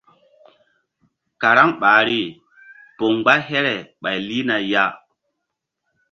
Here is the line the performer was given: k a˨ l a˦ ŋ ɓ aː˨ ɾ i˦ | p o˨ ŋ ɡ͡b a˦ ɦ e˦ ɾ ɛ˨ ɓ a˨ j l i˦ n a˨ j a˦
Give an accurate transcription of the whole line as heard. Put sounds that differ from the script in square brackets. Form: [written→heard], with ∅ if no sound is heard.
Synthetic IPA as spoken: k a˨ [l→ɾ] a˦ ŋ ɓ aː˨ ɾ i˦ | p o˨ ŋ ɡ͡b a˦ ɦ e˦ ɾ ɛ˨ ɓ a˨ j l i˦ n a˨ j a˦